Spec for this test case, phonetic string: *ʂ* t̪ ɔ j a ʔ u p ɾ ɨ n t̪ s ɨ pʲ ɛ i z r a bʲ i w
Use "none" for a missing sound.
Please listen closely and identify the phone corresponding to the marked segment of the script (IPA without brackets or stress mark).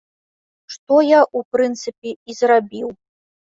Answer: ʂ